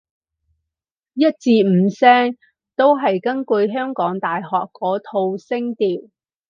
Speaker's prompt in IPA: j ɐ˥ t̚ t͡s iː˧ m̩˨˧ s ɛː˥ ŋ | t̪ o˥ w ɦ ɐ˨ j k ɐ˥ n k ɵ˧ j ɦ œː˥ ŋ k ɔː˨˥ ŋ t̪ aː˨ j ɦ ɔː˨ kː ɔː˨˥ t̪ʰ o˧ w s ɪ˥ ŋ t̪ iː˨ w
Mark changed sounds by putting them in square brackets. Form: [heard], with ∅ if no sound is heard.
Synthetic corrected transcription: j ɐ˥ t̚ t͡s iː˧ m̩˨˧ s ɛː˥ ŋ | t̪ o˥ w ɦ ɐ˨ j k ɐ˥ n k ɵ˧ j ɦ œː˥ ŋ k ɔː˨˥ ŋ t̪ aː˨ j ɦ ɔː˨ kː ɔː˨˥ t̪ʰ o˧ w s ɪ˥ ŋ t̪ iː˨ w

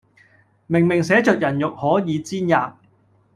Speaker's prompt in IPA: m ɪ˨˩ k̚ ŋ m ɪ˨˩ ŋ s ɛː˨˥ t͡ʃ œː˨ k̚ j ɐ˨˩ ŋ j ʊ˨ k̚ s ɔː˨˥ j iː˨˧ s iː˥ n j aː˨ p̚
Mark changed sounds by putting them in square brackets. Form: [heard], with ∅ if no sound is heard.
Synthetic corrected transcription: m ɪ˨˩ [∅] ŋ m ɪ˨˩ ŋ s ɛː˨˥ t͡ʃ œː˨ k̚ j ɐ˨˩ [n] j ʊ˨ k̚ [h] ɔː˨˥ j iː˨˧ [t͡s] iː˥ n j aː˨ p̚

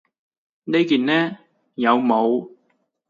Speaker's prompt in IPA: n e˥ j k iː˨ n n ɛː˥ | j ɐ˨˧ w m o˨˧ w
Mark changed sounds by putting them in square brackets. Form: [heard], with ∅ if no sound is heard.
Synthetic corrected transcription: n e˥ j k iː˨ n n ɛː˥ | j ɐ˨˧ w m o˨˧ w

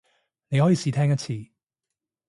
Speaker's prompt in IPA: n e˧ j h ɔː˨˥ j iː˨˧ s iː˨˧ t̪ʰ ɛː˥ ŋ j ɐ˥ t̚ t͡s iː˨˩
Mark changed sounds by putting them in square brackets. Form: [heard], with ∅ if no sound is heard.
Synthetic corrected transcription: n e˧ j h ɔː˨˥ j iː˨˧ s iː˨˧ t̪ʰ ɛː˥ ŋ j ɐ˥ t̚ [t͡sʰ] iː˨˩

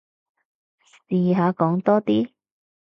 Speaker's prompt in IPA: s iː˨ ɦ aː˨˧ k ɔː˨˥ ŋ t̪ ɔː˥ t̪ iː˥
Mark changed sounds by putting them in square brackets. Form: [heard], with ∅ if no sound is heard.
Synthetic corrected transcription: s iː˨ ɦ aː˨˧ k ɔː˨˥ ŋ t̪ ɔː˥ t̪ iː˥

